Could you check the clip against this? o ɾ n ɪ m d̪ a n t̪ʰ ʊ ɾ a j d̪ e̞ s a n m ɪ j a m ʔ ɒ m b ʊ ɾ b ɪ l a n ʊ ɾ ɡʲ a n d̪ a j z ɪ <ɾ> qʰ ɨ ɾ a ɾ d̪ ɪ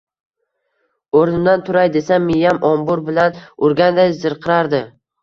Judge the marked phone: correct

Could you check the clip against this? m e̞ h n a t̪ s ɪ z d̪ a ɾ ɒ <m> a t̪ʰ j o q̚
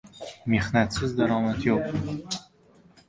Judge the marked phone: correct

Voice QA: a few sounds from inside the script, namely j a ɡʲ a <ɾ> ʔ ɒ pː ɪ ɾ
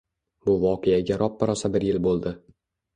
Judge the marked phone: correct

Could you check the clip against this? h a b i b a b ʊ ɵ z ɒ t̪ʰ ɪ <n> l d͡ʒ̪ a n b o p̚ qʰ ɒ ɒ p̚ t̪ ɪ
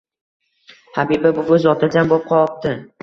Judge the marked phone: incorrect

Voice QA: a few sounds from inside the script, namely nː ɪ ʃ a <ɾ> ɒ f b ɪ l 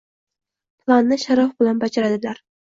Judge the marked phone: correct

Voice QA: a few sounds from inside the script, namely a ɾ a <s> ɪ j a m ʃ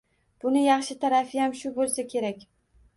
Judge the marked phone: incorrect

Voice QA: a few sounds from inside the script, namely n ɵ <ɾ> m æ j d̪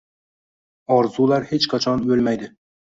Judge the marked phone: incorrect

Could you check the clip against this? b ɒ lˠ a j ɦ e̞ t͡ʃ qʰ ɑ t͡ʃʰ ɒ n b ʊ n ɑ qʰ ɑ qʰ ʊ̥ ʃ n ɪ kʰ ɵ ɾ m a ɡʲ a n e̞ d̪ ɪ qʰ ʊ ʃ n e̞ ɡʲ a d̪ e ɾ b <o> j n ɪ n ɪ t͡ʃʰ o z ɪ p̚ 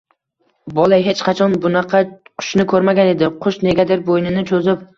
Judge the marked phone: correct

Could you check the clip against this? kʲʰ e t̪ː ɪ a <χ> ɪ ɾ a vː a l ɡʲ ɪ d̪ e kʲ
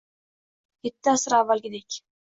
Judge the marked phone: incorrect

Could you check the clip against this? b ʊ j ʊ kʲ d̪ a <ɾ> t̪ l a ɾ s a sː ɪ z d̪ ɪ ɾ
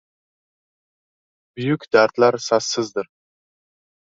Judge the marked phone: correct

